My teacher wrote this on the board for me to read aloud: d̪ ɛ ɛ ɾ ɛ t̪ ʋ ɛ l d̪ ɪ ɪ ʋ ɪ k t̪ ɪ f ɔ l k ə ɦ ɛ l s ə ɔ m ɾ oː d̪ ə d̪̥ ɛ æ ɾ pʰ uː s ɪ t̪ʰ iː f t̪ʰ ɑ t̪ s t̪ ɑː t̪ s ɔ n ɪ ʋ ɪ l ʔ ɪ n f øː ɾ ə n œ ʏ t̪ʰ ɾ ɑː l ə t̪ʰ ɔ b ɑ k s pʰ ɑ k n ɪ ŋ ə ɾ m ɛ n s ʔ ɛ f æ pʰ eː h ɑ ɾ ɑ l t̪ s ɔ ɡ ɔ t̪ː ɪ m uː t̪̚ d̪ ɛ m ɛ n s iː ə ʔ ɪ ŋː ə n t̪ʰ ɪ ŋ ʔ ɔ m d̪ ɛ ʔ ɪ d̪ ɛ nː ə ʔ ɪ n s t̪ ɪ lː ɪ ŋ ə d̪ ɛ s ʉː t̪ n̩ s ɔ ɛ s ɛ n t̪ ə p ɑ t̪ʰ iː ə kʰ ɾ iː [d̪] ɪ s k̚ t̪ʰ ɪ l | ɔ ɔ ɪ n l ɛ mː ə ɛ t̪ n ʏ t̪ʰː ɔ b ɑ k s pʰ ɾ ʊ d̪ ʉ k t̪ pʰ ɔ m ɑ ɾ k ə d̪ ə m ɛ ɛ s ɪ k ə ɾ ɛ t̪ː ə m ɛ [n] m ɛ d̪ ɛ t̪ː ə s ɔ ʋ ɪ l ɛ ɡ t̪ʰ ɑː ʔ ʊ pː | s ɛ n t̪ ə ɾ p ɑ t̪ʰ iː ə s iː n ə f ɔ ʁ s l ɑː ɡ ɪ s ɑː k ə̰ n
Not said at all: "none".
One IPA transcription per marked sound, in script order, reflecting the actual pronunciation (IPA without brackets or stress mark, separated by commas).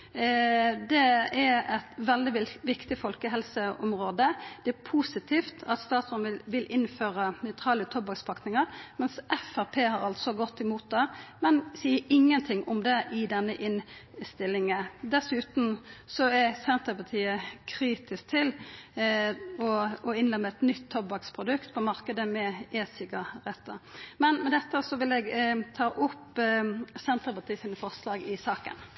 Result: t̪, n